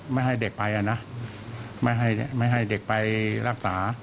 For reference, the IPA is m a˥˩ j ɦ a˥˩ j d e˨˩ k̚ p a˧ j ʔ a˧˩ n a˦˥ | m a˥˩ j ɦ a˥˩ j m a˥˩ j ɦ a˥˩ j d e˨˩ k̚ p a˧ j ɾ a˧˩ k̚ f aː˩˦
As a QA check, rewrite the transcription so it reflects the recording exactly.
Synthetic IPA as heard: m a˥˩ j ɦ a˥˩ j d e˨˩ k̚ p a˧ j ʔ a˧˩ n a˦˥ | m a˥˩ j ɦ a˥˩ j m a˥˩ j ɦ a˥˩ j d e˨˩ k̚ p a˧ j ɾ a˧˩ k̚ s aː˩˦

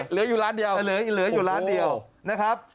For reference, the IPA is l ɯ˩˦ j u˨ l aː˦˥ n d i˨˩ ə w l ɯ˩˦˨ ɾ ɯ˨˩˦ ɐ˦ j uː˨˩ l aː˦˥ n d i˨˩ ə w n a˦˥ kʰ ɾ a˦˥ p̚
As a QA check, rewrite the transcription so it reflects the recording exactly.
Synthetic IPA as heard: l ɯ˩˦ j uː˨ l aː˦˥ n d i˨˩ ə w l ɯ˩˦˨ l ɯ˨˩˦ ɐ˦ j uː˨˩ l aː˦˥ n d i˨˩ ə w n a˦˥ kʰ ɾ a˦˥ p̚

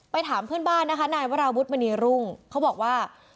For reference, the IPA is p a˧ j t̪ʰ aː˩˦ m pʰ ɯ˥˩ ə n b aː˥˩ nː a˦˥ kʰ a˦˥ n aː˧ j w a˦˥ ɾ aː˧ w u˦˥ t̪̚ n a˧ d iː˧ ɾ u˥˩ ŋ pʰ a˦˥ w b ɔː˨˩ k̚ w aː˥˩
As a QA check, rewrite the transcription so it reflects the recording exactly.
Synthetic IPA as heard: p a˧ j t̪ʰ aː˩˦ m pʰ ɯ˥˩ ə n b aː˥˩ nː a˦˥ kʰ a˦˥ n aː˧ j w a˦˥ ɾ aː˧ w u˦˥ t̪̚ m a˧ n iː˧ ɾ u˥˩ ŋ kʰ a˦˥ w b ɔː˨˩ k̚ w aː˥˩

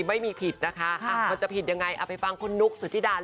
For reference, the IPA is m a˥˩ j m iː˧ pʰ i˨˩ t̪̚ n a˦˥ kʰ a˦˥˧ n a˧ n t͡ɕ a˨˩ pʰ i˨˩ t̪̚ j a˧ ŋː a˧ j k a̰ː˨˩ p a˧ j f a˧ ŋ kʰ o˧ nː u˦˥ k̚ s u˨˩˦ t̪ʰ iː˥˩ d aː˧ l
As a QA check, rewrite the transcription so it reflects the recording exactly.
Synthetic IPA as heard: m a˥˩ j m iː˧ pʰ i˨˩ t̪̚ n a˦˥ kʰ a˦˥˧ m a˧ n t͡ɕ a˨˩ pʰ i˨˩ t̪̚ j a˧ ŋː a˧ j ʔ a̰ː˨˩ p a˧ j f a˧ ŋ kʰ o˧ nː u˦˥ k̚ s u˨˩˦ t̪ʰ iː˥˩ d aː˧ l

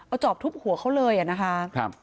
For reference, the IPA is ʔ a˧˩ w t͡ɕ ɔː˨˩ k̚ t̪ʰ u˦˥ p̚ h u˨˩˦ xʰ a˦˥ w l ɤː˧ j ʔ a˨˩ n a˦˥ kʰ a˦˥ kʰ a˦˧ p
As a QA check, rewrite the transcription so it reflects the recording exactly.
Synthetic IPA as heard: ʔ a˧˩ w t͡ɕ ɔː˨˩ p̚ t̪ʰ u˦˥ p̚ h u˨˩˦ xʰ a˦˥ w l ɤː˧ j ʔ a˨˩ n a˦˥ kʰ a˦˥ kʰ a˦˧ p

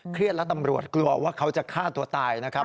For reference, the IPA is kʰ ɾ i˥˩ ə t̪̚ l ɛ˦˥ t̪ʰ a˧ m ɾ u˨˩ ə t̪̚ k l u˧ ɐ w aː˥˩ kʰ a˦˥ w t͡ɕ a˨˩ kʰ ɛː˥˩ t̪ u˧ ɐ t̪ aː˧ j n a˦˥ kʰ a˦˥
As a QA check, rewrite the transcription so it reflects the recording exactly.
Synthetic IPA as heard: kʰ ɾ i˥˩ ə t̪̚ l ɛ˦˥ t̪ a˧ m ɾ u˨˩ ə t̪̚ k l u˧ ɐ w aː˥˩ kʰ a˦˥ w t͡ɕ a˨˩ kʰ aː˥˩ t̪ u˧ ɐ t̪ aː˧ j n a˦˥ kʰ a˦˥

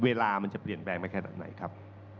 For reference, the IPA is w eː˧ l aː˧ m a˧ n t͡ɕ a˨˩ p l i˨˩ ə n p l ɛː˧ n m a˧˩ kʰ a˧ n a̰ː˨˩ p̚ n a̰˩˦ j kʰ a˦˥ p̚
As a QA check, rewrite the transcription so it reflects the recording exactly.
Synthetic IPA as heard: w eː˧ l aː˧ m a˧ n t͡ɕ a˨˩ p l i˨˩ ə n p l ɛː˧ ŋ m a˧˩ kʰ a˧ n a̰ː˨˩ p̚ n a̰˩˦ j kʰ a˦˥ p̚

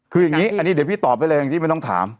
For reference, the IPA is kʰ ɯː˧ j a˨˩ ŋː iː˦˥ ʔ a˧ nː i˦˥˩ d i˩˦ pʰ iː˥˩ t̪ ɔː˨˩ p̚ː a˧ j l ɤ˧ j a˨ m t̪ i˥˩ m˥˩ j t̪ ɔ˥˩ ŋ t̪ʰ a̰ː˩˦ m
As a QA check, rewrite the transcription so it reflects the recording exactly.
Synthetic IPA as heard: kʰ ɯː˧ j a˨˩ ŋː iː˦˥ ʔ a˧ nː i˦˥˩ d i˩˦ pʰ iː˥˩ t̪ ɔː˨˩ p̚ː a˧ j l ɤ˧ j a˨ ŋ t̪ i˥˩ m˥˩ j t̪ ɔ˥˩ ŋ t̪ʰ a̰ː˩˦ m

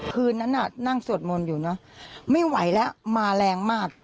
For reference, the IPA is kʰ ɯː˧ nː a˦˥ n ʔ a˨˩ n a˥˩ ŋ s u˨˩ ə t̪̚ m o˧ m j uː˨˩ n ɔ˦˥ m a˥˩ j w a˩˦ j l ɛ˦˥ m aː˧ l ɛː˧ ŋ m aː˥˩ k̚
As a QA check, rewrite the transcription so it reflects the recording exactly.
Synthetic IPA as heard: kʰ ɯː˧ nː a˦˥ n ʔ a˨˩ n a˥˩ ŋ s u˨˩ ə t̪̚ m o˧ n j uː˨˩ n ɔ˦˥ m a˥˩ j w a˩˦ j l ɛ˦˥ m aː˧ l ɛː˧ ŋ m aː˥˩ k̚

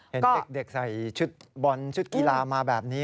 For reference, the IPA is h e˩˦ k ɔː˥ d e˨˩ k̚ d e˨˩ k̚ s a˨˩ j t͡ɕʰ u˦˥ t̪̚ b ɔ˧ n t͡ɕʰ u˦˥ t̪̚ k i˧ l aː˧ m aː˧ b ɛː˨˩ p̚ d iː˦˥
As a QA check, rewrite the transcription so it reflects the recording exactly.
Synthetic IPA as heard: h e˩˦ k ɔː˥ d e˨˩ k̚ d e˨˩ k̚ s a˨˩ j t͡ɕʰ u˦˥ t̪̚ b ɔ˧ n t͡ɕʰ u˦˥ t̪̚ k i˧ l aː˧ m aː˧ b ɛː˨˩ p̚ n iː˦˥

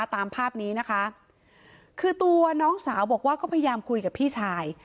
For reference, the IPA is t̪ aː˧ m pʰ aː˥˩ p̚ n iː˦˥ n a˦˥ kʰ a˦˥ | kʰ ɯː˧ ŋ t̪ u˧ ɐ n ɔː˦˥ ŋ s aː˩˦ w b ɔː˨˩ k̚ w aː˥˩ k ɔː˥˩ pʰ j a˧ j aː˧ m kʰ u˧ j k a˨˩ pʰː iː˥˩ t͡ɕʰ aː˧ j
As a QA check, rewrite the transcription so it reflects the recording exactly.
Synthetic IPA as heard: t̪ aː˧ m pʰ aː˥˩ p̚ n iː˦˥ n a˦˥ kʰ a˦˥ | kʰ ɯː˧ t̪ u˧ ɐ n ɔː˦˥ ŋ s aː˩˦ w b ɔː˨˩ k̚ w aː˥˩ k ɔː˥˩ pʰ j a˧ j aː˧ m kʰ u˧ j k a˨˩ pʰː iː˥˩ t͡ɕʰ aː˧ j

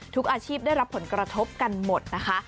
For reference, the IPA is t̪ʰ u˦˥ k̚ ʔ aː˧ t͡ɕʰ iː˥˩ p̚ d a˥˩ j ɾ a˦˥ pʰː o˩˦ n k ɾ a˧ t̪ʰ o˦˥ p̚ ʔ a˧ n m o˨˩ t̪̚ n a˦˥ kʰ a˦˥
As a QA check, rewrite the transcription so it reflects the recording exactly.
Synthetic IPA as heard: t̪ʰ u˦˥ k̚ ʔ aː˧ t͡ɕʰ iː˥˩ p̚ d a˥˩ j ɾ a˦˥ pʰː o˩˦ n k ɾ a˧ t̪ʰ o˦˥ p̚ k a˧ n m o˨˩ t̪̚ n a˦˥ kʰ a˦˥

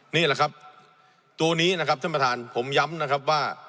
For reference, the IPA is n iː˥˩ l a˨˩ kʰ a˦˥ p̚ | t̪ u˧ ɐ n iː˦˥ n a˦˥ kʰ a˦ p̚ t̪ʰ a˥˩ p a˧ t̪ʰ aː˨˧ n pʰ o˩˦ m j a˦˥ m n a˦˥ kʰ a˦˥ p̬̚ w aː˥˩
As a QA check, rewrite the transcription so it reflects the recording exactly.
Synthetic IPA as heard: n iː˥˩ l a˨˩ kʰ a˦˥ p̚ | t̪ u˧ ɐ n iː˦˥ n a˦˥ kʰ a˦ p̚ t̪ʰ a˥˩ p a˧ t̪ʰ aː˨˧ n pʰ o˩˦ m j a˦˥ m n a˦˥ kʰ a˦˥ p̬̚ w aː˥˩

